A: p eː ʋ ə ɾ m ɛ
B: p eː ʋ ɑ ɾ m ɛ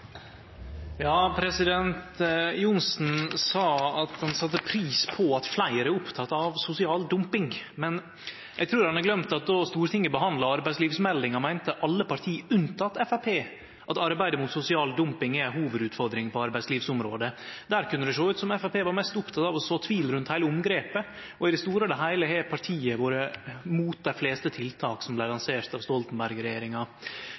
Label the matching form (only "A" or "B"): B